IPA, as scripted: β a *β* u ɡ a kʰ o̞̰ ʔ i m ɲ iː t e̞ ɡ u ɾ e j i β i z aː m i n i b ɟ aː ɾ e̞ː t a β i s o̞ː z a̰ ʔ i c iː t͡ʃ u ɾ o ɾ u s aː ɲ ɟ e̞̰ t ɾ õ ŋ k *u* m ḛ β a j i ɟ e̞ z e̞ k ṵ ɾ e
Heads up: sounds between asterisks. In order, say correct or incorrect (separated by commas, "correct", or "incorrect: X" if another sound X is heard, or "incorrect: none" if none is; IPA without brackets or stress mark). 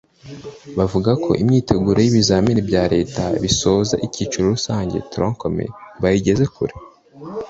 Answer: incorrect: v, incorrect: o